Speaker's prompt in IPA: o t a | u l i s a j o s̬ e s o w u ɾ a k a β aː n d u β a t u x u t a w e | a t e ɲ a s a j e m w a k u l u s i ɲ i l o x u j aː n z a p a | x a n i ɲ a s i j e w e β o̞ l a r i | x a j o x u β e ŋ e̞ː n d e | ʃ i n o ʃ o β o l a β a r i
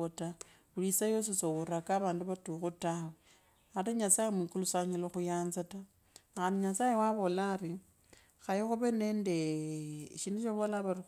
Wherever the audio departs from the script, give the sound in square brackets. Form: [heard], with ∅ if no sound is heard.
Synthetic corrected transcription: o t a | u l i s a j o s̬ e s o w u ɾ a k a β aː n d u β a t u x u t a w e | a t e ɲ a s a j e m w [i] k u l u s [a] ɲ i l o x u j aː n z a [t] a | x a n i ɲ a s [a] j e w [a] β o̞ l a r i | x a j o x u β e [n] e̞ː n d e | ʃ i n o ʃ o β o l a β a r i